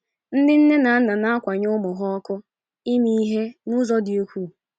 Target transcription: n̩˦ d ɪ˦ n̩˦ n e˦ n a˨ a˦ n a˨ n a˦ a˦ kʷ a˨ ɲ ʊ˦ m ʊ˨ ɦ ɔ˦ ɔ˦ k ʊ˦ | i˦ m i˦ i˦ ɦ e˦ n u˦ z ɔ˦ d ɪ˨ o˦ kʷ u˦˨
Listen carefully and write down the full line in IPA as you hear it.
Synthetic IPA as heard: n̩˦ d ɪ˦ n̩˦ n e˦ n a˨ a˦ n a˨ n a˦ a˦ kʷ a˨ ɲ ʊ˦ m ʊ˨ ɦ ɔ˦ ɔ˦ k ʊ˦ | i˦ m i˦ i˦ ɦ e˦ n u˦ z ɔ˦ d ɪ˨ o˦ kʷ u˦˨